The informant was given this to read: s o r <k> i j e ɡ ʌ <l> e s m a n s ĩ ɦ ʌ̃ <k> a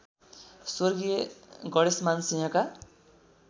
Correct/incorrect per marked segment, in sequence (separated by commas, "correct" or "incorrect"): incorrect, incorrect, correct